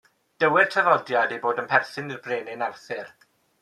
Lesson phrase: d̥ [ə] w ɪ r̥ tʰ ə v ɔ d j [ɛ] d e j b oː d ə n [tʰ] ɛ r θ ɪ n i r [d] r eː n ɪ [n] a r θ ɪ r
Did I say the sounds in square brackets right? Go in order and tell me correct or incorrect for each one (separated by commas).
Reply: correct, incorrect, incorrect, incorrect, correct